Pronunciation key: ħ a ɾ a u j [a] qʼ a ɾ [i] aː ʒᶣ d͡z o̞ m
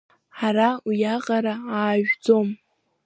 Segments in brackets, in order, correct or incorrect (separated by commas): correct, incorrect